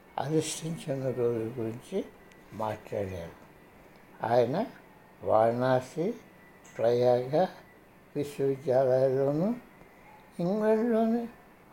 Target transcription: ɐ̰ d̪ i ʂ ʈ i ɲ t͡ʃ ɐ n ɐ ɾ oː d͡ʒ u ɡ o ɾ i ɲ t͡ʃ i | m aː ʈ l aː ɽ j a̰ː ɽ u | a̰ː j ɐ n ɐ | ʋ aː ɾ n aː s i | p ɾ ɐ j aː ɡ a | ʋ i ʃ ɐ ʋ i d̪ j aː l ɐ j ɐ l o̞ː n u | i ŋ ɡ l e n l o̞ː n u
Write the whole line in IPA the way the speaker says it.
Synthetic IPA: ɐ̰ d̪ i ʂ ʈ i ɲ t͡ʃ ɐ n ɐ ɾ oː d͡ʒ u ɡ u ɾ i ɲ t͡ʃ i | m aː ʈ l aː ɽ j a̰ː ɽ u | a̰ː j ɐ n ɐ | ʋ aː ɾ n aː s i | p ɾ ɐ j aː ɡ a | ʋ i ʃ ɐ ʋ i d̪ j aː l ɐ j ɐ l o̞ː n u | i ŋ ɡ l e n l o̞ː n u